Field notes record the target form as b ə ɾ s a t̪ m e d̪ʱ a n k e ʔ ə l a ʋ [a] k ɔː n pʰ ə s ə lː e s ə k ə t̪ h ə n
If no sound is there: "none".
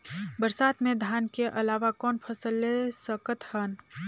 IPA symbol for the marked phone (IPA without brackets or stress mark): a